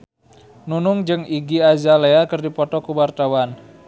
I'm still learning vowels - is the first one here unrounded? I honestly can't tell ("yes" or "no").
no